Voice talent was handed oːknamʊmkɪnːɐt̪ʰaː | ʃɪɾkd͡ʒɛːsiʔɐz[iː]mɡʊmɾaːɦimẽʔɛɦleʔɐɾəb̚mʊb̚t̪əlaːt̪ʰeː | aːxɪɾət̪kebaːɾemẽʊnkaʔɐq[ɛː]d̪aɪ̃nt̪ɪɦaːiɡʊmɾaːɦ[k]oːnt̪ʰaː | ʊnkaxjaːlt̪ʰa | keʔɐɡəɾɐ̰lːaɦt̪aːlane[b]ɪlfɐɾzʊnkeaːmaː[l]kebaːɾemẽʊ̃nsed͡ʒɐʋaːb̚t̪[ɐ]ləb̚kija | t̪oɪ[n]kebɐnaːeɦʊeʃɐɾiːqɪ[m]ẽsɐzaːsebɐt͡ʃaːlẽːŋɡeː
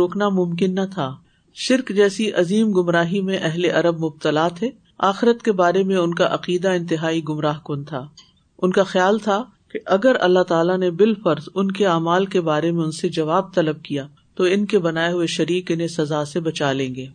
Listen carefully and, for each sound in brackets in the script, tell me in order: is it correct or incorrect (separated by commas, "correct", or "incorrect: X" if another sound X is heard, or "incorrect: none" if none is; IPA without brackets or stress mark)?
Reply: correct, incorrect: iː, correct, correct, correct, correct, correct, incorrect: n